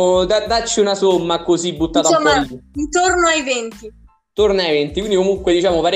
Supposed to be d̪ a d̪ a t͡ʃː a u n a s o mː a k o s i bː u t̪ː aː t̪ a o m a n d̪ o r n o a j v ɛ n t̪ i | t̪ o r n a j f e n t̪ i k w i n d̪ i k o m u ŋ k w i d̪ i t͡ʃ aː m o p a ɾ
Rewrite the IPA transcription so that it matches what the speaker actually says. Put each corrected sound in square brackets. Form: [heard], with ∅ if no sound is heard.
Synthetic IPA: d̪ a d̪ a t͡ʃː [i] u n a s o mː a k o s i bː u t̪ː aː t̪ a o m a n [t̪] o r n o a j v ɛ n t̪ i | t̪ o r n a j [v] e n t̪ i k w i n d̪ i k o m u ŋ k w [e] d̪ i t͡ʃ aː m o p a ɾ